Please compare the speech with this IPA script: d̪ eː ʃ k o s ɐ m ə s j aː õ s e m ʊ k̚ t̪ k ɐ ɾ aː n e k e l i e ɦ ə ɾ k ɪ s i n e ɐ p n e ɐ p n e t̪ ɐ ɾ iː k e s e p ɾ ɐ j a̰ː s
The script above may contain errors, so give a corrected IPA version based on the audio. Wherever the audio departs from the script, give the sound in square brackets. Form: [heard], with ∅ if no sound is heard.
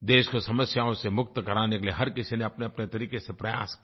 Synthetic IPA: d̪ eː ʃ k o s ɐ m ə s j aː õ s e m ʊ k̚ t̪ k ɐ ɾ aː n e k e l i e ɦ [ɐ] ɾ k ɪ s i n e ɐ p n e ɐ p n e t̪ ɐ ɾ iː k e s e p ɾ ɐ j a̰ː s